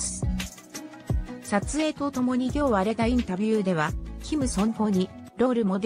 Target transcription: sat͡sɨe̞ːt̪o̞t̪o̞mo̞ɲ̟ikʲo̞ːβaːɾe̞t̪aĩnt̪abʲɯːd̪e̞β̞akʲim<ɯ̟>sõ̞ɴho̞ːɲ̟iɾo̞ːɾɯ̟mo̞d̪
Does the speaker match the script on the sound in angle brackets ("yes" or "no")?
yes